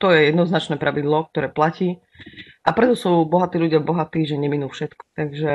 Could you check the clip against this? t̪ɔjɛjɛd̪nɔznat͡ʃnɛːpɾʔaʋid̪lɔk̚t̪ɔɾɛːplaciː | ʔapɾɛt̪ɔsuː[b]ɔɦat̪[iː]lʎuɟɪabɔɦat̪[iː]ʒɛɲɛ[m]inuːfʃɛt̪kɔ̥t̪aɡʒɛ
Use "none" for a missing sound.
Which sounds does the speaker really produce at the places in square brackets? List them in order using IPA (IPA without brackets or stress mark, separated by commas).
b, iː, iː, m